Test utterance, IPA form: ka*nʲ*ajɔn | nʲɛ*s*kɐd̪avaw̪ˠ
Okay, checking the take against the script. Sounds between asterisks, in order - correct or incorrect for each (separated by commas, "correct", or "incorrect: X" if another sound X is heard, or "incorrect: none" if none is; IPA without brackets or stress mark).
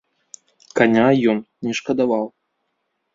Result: correct, incorrect: ʂ